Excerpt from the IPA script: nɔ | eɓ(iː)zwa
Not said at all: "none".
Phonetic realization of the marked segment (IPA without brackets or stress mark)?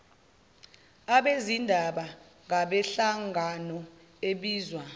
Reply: iː